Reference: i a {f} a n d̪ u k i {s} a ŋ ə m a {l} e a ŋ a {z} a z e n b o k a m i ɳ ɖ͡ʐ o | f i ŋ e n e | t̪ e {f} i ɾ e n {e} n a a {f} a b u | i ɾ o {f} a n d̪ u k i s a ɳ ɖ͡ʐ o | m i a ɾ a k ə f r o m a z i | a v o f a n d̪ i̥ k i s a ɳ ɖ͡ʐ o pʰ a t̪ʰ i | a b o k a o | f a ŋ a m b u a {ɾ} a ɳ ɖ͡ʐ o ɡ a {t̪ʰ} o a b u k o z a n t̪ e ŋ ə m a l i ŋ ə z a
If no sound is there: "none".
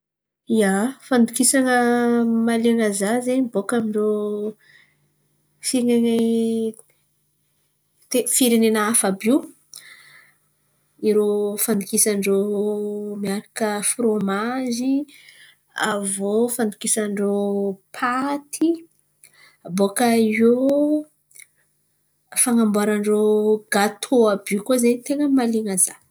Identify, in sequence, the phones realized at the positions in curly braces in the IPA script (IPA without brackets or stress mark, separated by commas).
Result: f, s, l, z, f, e, f, f, ɾ, t̪ʰ